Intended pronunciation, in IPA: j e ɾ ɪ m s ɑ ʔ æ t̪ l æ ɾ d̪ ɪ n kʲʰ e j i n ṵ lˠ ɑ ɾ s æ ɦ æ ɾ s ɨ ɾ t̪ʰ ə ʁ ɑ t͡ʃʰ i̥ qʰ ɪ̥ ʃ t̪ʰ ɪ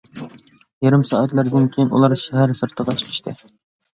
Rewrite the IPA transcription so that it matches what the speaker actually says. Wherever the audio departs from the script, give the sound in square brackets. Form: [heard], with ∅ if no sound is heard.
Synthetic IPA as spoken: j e ɾ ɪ m s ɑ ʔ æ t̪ l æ ɾ d̪ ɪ n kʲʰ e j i n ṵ lˠ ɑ ɾ [ʃ] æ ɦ æ ɾ s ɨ ɾ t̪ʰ ə ʁ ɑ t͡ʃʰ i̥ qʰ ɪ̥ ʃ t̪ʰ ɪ